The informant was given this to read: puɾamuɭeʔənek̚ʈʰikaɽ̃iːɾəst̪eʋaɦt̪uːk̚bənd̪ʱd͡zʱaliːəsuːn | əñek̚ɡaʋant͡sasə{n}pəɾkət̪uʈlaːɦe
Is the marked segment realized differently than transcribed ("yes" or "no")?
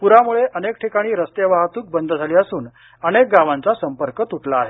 yes